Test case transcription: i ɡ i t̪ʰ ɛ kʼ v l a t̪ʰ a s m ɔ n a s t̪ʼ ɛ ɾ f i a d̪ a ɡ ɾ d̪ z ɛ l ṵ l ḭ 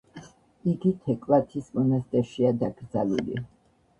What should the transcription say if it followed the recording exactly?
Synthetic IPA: i ɡ i t̪ʰ ɛ kʼ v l a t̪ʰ i s m ɔ n a s t̪ʼ ɛ ɾ ʃ i a d̪ a ɡ ɾ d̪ z a l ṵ l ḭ